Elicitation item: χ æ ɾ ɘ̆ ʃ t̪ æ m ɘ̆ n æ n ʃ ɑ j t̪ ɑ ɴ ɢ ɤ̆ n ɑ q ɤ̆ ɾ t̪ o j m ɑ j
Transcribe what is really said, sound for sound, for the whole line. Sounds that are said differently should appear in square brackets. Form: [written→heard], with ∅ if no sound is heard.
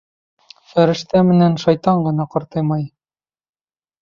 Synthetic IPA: [χ→f] æ ɾ ɘ̆ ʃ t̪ æ m ɘ̆ n æ n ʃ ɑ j t̪ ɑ ɴ ɢ ɤ̆ n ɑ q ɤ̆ ɾ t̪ [o→ɤ] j m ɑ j